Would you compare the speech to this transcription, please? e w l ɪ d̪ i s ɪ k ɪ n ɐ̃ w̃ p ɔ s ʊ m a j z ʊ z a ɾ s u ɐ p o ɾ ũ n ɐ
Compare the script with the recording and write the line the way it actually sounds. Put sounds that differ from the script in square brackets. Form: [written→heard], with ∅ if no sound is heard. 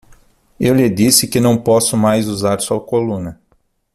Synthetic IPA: e w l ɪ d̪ i s ɪ k ɪ n ɐ̃ w̃ p ɔ s ʊ m a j z [ʊ→u] z a ɾ s u ɐ [p→k] o [ɾ→l] ũ n ɐ